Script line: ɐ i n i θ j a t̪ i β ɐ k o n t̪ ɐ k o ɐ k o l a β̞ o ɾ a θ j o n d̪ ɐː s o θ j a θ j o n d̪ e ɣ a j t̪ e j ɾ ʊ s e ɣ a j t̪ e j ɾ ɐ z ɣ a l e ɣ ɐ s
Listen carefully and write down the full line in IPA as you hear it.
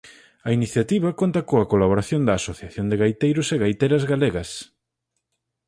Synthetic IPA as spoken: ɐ i n i θ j a t̪ i β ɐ k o n t̪ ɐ k o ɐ k o l a β̞ o ɾ a θ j o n d̪ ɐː s o θ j a θ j o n d̪ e ɣ a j t̪ e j ɾ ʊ s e ɣ a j t̪ e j ɾ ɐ z ɣ a l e ɣ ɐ s

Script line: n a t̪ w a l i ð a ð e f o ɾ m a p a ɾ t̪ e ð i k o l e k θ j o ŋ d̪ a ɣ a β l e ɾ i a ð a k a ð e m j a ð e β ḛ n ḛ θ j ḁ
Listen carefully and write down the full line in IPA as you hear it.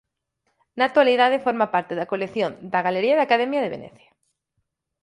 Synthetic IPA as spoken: n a t̪ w a l i ð a ð e f o ɾ m a p a ɾ t̪ e ð a k o l e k θ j o n d̪ a ɣ a l e ɾ i a ð a k a ð e m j a ð e β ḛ n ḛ θ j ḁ

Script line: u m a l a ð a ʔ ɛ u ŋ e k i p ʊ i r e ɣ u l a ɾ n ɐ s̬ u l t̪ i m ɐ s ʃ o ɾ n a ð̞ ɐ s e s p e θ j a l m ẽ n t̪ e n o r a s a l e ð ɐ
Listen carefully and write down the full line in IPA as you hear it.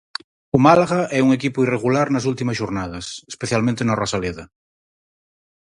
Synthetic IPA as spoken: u m a l a ɣ a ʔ ɛ u ŋ e k i p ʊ i r e ɣ u l a ɾ n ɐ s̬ u l t̪ i m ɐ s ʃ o ɾ n a ð̞ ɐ s e s p e θ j a l m ẽ n t̪ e n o r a s a l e ð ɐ

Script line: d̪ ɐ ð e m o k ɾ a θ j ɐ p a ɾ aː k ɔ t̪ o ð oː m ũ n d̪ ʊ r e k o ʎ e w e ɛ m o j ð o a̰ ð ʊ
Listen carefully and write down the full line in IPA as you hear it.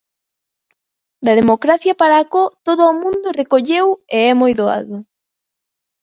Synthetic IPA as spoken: d̪ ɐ ð e m o k ɾ a θ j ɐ p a ɾ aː k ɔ t̪ o ð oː m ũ n d̪ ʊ r e k o ʎ e w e ɛ m o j ð o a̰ ð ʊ

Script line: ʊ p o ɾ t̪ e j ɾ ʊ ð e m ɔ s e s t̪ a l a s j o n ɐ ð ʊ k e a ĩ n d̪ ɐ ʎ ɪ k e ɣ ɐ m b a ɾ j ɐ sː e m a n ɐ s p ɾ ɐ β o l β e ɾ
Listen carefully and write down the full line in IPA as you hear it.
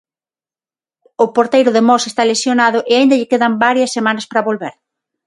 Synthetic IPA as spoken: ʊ p o ɾ t̪ e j ɾ ʊ ð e m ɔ s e s t̪ a l e s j o n a ð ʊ ʔ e a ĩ n d̪ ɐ ʎ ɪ k e ð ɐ m b a ɾ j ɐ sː e m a n ɐ s p ɾ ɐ β o l β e ɾ

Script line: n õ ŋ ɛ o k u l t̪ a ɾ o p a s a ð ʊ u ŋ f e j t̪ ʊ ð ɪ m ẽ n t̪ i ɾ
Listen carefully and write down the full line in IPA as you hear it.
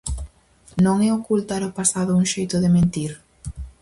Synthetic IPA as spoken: n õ ŋ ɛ o k u l t̪ a ɾ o p a s a ð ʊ u ŋ ʃ e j t̪ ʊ ð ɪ m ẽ n t̪ i ɾ

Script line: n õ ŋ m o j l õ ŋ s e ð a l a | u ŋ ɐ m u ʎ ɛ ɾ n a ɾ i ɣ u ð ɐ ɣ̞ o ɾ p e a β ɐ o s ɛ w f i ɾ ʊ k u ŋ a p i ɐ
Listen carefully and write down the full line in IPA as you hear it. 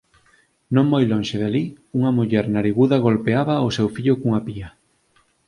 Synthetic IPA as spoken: n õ ŋ m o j l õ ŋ ʃ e ð a l i | u ŋ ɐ m u ʎ ɛ ɾ n a ɾ i ɣ u ð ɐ ɣ̞ o l p e a β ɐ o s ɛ w f i ʎ ʊ k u ŋ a p i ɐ

